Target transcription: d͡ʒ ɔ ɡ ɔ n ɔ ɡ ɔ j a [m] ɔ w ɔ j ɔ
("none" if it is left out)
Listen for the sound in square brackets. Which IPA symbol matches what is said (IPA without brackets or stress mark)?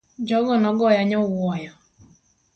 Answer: ɲ